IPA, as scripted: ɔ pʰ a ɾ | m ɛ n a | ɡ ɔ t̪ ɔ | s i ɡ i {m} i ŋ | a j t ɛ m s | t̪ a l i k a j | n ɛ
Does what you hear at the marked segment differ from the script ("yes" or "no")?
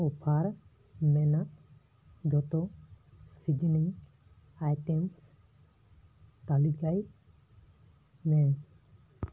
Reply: yes